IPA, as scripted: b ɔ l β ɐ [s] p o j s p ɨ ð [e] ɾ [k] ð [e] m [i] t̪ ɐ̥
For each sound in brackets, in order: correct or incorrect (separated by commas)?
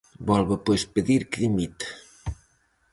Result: incorrect, incorrect, correct, incorrect, correct